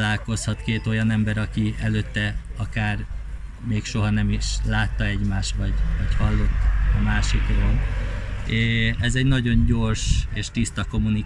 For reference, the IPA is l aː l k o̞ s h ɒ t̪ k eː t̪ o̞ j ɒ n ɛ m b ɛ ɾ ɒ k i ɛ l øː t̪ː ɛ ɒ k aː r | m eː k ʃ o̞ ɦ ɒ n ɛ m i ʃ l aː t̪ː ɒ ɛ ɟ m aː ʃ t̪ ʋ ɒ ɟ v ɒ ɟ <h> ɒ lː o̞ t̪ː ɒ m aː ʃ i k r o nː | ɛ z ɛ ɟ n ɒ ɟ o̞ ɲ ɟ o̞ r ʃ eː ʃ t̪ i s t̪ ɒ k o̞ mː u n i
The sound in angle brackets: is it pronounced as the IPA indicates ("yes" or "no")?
yes